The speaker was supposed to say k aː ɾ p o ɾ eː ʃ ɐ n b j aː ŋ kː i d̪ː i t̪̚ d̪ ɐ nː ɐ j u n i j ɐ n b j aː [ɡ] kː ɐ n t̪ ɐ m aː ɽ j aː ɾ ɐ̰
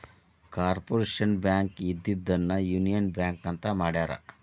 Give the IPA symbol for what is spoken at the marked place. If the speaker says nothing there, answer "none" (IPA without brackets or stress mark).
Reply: ŋ